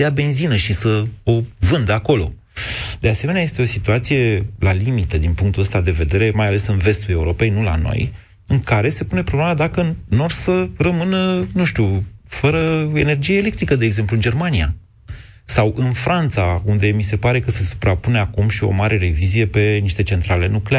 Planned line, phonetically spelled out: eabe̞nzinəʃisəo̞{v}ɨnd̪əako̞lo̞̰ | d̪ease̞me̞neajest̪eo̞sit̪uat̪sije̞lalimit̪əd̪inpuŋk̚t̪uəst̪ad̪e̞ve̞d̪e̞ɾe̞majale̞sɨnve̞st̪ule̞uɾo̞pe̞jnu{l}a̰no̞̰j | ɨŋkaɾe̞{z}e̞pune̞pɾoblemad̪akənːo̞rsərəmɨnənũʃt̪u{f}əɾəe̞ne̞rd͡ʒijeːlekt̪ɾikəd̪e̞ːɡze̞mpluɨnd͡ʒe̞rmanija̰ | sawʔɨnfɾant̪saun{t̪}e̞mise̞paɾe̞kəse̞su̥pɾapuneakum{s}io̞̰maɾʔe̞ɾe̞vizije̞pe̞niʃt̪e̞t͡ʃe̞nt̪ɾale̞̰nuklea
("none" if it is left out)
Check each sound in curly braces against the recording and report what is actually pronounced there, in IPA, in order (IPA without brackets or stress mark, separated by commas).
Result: v, l, s, f, d̪, ʃ